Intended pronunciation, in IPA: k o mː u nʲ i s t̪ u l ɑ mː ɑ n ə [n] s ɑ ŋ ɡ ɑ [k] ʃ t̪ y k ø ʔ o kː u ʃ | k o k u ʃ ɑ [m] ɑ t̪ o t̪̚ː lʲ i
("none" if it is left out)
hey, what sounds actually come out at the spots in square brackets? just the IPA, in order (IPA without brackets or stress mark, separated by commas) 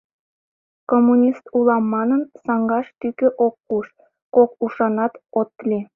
n, none, n